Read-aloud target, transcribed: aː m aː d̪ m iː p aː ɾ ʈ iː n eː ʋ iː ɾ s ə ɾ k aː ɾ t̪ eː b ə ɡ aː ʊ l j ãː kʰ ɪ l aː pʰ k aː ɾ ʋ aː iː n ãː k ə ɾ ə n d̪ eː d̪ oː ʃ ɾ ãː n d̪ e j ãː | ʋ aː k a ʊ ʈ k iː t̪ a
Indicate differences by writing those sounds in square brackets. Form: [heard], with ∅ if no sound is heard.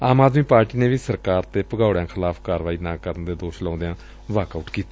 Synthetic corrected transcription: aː m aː d̪ m iː p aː ɾ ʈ iː n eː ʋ iː [∅] s ə ɾ k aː ɾ t̪ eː [p] ə ɡ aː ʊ [ɽ] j ãː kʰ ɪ l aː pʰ k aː ɾ ʋ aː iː n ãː k ə ɾ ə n d̪ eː d̪ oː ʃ [l] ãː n d̪ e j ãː | ʋ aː k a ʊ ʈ k iː t̪ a